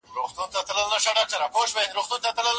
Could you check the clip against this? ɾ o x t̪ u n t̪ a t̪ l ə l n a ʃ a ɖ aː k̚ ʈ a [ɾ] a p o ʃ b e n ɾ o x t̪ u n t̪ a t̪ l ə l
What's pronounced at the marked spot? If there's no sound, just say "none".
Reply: ɾ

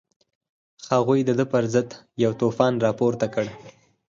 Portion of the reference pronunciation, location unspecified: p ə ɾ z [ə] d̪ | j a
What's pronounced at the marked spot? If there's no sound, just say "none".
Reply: ə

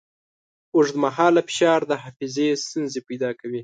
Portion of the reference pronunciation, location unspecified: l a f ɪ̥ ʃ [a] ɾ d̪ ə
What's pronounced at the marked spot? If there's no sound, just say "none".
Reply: ɑ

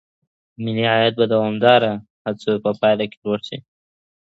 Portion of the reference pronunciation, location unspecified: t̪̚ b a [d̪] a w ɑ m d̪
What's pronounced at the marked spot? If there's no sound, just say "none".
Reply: d̪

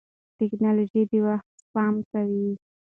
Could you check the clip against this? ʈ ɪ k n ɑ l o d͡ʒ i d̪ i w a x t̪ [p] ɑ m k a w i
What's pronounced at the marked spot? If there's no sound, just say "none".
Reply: p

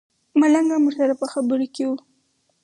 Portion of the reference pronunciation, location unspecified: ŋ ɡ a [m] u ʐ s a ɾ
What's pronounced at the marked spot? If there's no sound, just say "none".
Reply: m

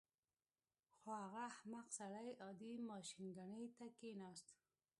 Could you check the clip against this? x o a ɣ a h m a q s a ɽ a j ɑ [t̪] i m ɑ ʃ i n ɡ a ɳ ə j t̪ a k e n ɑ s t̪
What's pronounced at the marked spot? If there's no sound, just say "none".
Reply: d̪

